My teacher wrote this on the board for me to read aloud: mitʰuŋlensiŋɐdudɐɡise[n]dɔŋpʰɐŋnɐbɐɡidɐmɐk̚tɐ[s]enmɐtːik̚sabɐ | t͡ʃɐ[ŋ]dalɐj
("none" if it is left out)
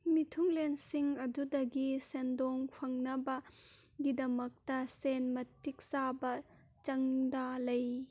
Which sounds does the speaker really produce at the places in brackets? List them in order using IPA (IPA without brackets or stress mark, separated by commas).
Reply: n, s, ŋ